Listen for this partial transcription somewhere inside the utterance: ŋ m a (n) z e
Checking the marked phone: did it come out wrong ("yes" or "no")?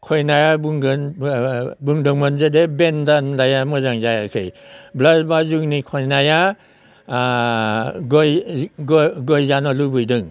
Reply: no